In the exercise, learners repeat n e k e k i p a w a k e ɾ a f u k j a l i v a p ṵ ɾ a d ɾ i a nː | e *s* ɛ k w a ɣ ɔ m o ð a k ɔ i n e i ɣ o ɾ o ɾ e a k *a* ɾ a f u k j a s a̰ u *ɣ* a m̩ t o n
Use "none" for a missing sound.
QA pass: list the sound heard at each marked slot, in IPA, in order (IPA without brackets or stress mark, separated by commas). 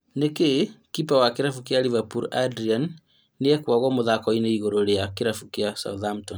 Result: none, e, ð